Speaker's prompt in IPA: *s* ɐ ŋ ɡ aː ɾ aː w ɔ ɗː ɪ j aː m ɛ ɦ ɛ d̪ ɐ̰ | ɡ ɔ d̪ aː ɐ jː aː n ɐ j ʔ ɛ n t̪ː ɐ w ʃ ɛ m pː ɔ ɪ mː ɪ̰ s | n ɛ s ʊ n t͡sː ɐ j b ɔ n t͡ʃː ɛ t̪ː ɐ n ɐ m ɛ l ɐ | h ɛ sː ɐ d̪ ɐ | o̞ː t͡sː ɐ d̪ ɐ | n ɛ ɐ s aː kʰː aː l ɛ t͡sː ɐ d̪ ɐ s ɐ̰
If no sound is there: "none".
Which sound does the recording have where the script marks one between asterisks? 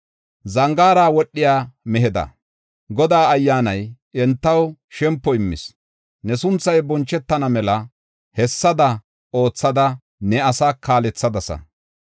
z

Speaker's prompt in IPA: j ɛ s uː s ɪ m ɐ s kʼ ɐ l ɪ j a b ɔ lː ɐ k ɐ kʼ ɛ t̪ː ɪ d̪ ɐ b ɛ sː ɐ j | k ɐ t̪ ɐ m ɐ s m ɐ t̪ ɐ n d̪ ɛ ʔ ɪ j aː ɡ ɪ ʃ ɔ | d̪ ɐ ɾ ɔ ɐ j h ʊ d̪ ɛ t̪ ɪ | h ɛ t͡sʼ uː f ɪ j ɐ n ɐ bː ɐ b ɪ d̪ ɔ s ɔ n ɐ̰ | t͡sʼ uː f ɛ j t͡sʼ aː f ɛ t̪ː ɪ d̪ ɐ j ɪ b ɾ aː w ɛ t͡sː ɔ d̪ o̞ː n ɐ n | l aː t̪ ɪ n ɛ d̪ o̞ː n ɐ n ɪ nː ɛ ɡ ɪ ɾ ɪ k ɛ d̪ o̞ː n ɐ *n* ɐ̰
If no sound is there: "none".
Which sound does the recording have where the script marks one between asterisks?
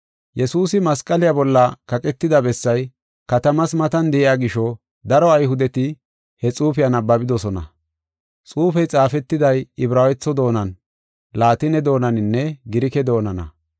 n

